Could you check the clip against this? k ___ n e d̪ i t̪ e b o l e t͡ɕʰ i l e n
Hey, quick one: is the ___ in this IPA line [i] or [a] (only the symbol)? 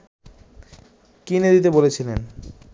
i